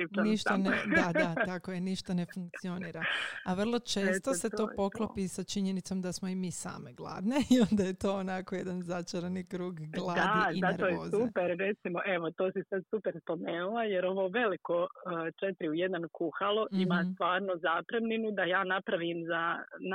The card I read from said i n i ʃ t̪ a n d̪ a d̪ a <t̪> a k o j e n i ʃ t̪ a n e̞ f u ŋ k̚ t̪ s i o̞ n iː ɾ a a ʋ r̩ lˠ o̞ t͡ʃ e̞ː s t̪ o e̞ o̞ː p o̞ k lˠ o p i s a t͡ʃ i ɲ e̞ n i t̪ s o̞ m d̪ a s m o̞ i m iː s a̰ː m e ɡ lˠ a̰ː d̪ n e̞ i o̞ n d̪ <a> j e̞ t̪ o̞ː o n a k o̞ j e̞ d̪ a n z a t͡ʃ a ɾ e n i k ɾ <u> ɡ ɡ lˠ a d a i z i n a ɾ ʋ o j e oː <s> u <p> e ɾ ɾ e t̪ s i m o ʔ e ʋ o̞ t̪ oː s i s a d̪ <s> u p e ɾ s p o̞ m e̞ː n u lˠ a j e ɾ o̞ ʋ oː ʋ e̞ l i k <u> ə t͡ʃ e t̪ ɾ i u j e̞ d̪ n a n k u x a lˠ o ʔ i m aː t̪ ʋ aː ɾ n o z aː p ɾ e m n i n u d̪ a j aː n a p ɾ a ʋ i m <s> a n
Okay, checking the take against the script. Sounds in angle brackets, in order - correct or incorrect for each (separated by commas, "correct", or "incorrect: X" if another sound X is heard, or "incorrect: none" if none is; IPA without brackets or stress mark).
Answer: correct, correct, incorrect: uː, incorrect: z, correct, correct, incorrect: o, incorrect: z